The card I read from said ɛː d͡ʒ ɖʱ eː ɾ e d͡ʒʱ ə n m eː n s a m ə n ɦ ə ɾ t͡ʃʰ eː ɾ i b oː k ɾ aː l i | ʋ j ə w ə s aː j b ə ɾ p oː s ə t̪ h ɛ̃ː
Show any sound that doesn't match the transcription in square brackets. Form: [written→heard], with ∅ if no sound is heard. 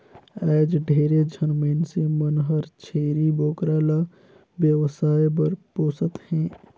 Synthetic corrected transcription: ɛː d͡ʒ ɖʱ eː ɾ e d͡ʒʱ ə n m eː n s [a→e] m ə n ɦ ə ɾ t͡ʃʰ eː ɾ i b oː k ɾ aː l [i→a] | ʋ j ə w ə s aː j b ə ɾ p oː s ə t̪ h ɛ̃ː